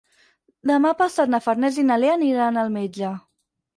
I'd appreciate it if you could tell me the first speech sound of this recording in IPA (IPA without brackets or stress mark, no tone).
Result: d̪